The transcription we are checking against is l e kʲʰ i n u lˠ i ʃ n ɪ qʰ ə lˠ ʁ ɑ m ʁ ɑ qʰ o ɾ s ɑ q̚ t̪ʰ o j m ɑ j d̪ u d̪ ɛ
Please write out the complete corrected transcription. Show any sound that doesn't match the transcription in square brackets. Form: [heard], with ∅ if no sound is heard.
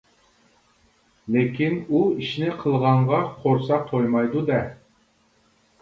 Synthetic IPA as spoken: l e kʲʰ i n u [∅] i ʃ n ɪ qʰ ə lˠ ʁ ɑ [ɴ] ʁ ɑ qʰ o ɾ s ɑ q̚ t̪ʰ o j m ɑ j d̪ u d̪ ɛ